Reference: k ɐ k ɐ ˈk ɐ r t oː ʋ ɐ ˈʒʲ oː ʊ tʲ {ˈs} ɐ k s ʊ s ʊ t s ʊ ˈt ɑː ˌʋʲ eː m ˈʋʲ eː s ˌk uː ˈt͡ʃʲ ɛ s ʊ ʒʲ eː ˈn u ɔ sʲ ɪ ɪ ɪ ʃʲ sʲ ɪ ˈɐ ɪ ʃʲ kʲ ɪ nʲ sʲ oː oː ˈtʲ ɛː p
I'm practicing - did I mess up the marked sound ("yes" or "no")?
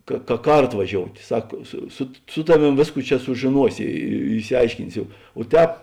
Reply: no